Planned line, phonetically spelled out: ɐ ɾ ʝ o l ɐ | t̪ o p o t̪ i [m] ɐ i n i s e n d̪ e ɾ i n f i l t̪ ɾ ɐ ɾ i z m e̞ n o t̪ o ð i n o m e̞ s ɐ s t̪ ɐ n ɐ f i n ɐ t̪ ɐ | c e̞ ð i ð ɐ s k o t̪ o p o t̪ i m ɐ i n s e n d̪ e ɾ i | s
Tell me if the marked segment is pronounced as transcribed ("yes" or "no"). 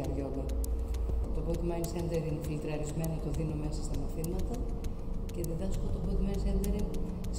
yes